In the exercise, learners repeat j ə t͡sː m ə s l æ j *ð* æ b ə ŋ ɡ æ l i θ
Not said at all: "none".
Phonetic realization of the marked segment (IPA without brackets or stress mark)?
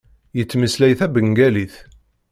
θ